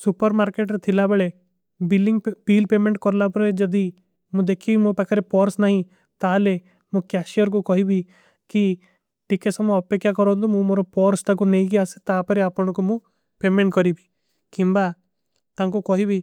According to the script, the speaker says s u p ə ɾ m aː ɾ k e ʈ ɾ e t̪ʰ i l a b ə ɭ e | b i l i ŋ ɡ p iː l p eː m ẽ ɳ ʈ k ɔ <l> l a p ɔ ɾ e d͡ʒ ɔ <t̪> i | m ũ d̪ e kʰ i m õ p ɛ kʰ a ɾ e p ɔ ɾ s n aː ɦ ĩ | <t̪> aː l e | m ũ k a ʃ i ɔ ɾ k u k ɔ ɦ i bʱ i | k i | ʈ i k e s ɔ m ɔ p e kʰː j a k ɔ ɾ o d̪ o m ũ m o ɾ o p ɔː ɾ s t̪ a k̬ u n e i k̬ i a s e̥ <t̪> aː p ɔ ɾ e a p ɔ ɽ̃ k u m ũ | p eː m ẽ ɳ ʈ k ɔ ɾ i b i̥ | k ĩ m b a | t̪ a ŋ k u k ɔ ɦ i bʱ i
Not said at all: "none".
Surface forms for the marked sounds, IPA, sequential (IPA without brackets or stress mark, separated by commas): ɾ, d̪, t̪, t̪